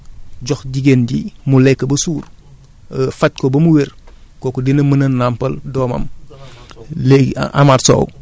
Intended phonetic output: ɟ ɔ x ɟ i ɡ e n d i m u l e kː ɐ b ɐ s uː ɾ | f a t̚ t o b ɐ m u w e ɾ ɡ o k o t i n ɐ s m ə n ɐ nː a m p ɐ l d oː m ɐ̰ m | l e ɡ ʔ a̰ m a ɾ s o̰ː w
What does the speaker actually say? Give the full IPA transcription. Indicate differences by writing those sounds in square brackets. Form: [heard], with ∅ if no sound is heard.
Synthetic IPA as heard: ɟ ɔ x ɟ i ɡ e n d i m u l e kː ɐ b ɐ s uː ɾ | f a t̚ [k] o b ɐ m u w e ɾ [k] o k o [d] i n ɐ [∅] m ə n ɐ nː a m p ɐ l d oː m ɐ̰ m | l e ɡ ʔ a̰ m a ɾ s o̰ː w